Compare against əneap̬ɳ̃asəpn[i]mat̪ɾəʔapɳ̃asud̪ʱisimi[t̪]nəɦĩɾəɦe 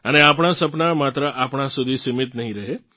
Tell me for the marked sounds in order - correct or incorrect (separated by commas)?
incorrect, correct